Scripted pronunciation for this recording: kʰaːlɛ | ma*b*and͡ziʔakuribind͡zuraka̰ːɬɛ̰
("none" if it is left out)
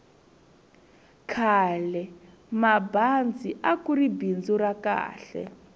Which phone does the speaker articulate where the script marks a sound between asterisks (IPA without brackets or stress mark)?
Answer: b